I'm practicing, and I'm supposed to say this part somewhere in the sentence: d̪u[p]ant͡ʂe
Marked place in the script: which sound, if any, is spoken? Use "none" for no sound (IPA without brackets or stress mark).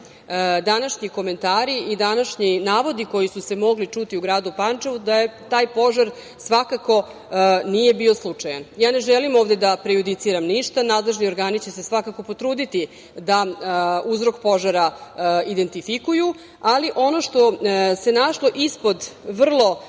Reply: p